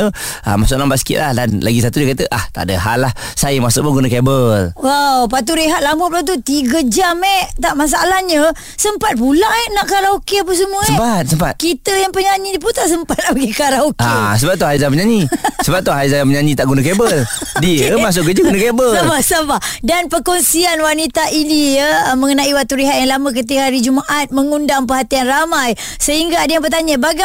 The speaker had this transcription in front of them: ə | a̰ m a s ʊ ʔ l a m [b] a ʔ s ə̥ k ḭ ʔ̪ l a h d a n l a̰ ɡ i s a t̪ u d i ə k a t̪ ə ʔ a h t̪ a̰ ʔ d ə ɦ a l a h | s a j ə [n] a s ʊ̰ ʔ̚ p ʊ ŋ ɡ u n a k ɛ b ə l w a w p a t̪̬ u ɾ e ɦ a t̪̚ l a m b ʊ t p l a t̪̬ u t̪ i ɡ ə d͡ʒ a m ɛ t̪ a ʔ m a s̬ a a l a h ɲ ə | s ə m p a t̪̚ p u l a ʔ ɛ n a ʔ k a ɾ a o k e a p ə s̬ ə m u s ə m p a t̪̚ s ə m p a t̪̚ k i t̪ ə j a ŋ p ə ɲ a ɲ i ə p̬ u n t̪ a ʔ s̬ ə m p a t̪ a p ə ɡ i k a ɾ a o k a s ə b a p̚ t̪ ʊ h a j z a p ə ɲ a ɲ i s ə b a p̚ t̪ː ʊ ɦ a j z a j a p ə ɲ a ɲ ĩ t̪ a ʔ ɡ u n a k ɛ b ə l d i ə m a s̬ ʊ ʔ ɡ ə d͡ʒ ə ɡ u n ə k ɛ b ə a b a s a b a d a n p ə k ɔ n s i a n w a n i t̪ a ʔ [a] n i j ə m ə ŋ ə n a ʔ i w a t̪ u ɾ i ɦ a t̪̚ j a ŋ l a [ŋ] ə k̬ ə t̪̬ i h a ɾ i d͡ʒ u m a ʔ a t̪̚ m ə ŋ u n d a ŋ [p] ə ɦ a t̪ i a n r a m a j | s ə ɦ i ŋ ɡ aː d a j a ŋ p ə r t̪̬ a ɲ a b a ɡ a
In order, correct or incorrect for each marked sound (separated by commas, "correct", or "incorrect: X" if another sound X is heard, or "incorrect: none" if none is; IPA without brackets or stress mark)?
correct, incorrect: m, incorrect: i, incorrect: m, correct